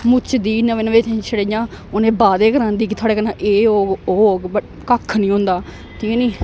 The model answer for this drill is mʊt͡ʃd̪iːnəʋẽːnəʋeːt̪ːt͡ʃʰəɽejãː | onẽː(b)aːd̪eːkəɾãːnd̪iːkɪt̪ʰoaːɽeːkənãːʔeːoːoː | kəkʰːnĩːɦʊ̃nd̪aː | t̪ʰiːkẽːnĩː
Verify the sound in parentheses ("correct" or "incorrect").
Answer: correct